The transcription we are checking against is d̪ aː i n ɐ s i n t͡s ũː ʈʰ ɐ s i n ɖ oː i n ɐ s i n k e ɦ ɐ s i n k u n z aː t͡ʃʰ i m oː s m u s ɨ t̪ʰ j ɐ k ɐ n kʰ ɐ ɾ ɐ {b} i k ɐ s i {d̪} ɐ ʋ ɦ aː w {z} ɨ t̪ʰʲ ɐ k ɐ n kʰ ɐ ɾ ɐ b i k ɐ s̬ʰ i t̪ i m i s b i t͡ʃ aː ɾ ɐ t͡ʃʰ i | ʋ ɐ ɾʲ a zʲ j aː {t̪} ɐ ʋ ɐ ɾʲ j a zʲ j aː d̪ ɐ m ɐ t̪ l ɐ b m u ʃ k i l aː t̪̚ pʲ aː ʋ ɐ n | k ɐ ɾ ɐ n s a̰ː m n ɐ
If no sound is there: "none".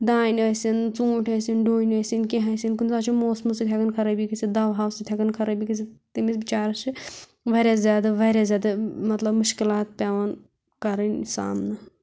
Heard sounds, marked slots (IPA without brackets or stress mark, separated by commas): b, d̪, s, d̪